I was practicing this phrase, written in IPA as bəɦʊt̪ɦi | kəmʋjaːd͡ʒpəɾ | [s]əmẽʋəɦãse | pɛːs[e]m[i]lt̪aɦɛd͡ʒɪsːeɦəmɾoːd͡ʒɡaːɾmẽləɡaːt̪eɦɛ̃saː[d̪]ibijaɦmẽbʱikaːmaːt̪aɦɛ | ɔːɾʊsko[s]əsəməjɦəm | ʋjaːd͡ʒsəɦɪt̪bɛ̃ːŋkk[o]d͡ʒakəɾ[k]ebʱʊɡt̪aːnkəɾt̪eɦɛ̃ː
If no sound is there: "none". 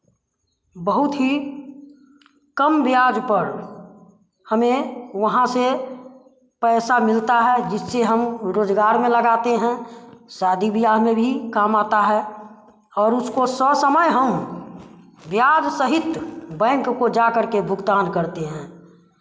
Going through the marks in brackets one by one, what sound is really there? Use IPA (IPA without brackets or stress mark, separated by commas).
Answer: h, a, ɪ, d̪, s, o, k